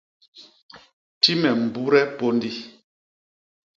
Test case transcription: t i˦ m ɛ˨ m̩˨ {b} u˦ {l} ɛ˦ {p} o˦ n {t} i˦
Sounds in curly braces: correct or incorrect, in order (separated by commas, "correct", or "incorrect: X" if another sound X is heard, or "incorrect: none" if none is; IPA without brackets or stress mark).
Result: correct, incorrect: ɾ, correct, incorrect: d